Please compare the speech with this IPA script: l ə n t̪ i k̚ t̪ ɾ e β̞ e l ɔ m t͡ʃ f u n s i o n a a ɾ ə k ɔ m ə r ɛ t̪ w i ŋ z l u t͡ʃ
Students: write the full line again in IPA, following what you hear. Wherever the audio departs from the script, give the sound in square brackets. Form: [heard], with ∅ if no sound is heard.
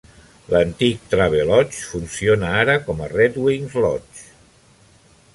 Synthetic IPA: l ə n t̪ i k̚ t̪ ɾ [a] β̞ e l ɔ [∅] t͡ʃ f u n s i o n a a ɾ ə k ɔ m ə r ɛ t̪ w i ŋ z l [ɔ] t͡ʃ